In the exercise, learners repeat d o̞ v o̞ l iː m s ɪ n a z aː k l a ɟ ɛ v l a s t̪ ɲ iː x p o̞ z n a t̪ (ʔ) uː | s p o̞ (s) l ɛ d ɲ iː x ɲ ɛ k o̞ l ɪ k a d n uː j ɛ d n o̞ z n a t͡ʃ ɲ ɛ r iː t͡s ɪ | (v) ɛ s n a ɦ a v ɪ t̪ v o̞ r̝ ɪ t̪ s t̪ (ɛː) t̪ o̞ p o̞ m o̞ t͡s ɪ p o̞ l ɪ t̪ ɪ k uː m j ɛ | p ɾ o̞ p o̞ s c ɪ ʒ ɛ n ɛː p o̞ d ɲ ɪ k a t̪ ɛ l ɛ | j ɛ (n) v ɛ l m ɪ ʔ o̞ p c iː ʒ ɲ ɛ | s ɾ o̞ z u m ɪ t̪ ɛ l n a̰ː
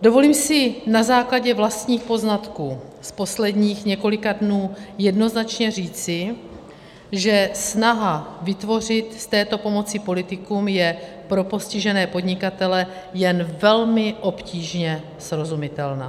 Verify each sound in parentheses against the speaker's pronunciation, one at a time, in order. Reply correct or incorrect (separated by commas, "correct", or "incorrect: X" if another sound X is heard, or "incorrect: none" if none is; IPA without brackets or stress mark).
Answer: incorrect: k, correct, incorrect: ʒ, correct, correct